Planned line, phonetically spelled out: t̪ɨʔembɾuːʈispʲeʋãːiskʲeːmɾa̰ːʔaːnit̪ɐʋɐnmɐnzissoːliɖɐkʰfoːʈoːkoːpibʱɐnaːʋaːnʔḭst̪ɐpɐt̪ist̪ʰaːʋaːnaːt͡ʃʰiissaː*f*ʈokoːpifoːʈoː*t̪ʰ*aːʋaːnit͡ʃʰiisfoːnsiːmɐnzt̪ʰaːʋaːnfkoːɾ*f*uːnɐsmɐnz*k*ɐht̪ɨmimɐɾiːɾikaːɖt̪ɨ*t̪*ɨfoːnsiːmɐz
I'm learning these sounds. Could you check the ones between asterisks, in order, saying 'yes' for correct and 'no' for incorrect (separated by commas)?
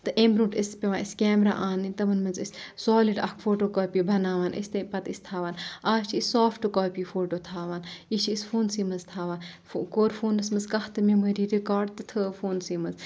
yes, yes, yes, yes, no